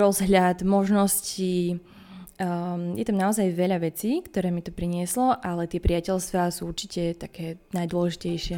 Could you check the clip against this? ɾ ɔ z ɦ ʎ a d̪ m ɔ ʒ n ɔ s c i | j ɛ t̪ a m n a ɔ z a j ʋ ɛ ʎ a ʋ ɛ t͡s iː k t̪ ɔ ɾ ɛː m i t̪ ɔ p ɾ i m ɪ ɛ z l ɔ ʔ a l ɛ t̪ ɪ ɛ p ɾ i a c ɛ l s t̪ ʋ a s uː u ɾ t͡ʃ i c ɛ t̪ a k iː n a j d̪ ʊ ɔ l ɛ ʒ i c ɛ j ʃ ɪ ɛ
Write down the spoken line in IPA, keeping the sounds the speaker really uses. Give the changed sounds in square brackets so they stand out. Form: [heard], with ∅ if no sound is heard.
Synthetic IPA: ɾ ɔ z ɦ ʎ a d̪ m ɔ ʒ n ɔ s c i | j ɛ t̪ a m n a ɔ z a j ʋ ɛ ʎ a ʋ ɛ t͡s iː k t̪ ɔ ɾ ɛː m i t̪ ɔ p ɾ i [ɲ] ɪ ɛ [s] l ɔ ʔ a l ɛ t̪ ɪ ɛ p ɾ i a c ɛ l s t̪ ʋ a s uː u ɾ t͡ʃ i c ɛ t̪ a k [ɛː] n a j d̪ ʊ ɔ l ɛ ʒ i c ɛ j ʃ ɪ ɛ